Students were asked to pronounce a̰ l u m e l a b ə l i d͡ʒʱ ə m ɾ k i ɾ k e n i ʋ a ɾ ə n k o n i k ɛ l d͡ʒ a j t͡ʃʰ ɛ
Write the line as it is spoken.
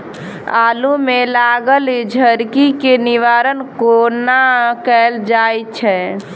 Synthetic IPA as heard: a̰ l u m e l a ɡ ə l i d͡ʒʱ ə ɾ k i k e n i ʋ a ɾ ə n k o n a k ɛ l d͡ʒ a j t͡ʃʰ ɛ

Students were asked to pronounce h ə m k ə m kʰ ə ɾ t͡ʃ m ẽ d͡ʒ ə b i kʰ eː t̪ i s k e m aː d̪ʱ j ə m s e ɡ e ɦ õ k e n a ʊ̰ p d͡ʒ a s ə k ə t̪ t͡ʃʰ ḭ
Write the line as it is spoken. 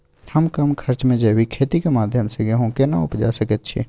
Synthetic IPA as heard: h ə m k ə m kʰ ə ɾ t͡ʃ m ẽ d͡ʒ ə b i kʰ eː t̪ i k e m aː d̪ʱ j ə m s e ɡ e ɦ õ k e n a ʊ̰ p d͡ʒ a s ə k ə t̪ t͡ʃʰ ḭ

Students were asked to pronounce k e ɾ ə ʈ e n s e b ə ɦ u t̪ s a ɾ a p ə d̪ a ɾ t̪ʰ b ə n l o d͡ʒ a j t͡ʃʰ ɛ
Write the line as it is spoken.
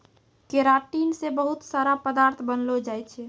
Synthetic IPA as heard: k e ɾ a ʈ i n s e b ə ɦ u t̪ s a ɾ a p ə d̪ a ɾ t̪ʰ b ə n l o d͡ʒ a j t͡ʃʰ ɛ

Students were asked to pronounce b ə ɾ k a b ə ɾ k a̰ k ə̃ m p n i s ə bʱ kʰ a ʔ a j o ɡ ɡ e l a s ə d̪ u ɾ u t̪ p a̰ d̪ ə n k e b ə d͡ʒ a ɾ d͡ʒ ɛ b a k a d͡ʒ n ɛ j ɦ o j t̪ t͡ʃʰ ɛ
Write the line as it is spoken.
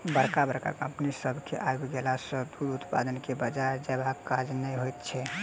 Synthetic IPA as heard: b ə ɾ k a b ə ɾ k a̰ k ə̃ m p n i s ə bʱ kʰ e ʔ a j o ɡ ɡ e l a s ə d̪ u ɾ u t̪ p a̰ d̪ ə n k e b ə d͡ʒ a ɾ d͡ʒ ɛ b a k a d͡ʒ n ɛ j ɦ o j t̪ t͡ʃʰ ɛ

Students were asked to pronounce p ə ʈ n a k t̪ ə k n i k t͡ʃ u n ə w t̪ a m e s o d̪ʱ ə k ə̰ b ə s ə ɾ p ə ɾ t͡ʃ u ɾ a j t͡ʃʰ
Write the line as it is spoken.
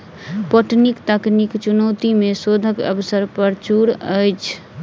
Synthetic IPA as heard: p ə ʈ n i k t̪ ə k n i k t͡ʃ u n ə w t̪ i m e s o d̪ʱ ə k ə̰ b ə s ə ɾ p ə ɾ t͡ʃ u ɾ ə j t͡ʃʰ

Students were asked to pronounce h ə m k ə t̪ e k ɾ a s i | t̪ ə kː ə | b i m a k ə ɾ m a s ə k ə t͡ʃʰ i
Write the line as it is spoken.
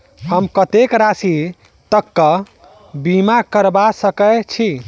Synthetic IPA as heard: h ə m k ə t̪ e k ɾ a s i | t̪ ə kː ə | b i m a k ə ɾ b a s ə k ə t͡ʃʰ i

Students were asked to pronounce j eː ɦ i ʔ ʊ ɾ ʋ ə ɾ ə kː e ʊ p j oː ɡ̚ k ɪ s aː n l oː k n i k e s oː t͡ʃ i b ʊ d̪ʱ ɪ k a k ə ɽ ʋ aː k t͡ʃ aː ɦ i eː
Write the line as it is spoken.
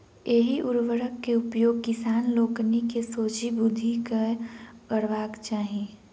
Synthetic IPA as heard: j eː ɦ i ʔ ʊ ɾ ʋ ə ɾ ə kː e ʊ p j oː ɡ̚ k ɪ s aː n l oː k n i k e s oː t͡ʃ i b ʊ d̪ʱ i k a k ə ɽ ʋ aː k t͡ʃ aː ɦ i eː

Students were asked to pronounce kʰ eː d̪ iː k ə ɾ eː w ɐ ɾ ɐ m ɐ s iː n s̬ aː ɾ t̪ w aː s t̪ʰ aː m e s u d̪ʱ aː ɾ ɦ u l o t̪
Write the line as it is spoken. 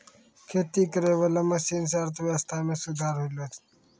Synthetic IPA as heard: kʰ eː t̪ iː k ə ɾ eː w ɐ l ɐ m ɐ s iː n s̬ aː ɾ t̪ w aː s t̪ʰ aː m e s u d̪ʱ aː ɾ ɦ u l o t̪

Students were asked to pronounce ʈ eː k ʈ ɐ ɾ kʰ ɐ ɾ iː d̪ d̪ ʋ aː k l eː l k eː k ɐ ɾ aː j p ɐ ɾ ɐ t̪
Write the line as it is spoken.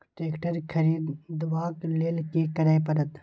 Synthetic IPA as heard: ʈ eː k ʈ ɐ ɾ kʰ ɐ ɾ iː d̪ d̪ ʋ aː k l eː l k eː k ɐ ɾ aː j p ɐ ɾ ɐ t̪

